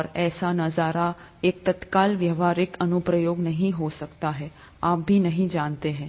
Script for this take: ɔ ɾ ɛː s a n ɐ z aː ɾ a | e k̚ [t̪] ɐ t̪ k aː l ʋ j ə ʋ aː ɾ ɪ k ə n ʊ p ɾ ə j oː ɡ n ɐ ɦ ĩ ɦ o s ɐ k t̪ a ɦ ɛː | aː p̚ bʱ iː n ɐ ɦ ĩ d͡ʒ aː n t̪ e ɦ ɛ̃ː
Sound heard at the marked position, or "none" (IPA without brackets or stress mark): t̪